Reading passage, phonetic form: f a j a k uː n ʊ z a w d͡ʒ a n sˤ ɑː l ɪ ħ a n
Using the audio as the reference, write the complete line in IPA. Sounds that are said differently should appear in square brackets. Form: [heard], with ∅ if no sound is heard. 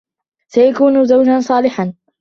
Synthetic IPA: [s] a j a k uː n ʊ z a w d͡ʒ a n sˤ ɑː l ɪ ħ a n